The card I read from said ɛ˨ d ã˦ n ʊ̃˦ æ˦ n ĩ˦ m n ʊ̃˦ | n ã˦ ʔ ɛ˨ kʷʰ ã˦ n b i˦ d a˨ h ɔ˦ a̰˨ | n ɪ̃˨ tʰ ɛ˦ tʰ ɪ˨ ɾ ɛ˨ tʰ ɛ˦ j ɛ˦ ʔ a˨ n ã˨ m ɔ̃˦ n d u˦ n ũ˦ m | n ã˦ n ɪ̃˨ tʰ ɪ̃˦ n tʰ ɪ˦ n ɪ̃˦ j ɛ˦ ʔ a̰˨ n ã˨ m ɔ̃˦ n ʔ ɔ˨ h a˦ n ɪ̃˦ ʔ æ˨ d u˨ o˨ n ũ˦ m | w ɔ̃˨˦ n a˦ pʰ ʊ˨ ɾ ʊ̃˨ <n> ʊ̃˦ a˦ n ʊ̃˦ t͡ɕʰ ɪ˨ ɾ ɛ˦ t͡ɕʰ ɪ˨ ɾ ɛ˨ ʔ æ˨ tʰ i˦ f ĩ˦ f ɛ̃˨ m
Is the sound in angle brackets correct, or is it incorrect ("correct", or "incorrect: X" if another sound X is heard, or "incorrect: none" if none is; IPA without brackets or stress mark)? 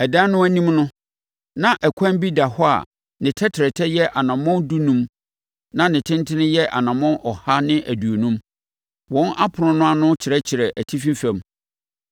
correct